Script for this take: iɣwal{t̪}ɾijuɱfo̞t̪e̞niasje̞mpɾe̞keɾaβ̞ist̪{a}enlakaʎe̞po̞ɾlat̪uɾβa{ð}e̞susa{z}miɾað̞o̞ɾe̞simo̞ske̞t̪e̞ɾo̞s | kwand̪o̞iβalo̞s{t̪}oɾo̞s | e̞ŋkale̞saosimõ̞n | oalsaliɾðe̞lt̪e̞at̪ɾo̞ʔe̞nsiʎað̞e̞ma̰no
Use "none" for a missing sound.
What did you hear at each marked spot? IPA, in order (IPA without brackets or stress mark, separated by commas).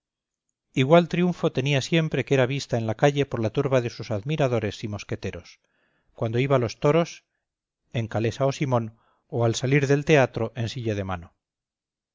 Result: t̪, a, ð, ð, t̪